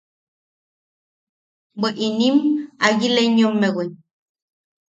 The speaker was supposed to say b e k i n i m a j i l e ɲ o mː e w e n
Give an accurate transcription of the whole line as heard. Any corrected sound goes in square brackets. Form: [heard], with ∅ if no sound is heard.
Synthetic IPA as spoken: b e [ʔ] i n i m a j i l e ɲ o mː e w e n